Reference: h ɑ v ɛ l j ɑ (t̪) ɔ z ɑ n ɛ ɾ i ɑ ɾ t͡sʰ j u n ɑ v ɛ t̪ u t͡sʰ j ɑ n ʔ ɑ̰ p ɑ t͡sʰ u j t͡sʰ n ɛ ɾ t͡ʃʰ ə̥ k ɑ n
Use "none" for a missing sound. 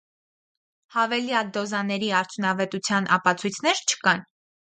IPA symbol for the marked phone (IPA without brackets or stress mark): d̪